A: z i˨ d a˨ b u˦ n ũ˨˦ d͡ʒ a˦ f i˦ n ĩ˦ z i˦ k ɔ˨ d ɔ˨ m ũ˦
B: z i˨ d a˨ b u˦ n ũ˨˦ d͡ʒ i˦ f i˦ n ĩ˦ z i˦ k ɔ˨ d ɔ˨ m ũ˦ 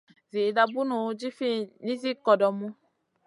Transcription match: B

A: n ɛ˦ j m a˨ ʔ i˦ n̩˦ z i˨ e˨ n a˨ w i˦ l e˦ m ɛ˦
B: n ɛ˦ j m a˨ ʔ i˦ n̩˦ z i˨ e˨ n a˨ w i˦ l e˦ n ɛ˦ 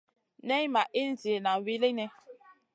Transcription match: B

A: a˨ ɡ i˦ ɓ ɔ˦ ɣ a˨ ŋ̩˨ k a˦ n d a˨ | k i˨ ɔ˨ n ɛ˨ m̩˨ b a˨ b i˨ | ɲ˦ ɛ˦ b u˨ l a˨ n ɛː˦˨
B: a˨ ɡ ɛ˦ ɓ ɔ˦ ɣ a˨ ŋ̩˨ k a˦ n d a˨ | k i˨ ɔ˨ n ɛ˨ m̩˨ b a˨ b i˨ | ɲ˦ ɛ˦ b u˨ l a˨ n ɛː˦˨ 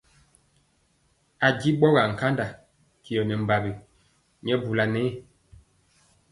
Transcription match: A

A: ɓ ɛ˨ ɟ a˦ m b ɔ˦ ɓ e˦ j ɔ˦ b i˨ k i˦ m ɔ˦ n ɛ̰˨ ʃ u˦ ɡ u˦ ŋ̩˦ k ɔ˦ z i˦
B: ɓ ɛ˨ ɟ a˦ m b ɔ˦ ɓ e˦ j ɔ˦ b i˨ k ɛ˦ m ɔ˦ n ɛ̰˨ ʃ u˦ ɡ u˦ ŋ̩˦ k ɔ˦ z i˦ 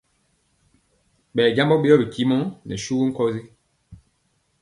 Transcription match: A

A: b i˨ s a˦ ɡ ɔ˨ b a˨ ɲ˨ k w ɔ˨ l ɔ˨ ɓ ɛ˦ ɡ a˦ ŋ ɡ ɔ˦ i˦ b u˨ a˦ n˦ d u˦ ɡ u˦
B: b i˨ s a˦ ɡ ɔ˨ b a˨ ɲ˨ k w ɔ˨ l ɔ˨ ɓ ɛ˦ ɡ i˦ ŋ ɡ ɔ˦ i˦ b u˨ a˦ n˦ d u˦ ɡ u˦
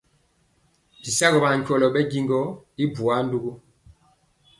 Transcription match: B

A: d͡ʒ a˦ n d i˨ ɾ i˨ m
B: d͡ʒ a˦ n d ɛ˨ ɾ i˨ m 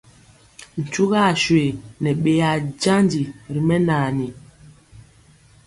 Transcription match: A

